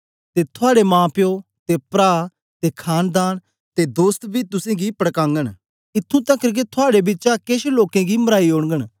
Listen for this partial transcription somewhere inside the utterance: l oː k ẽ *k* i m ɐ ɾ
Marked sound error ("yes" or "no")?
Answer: yes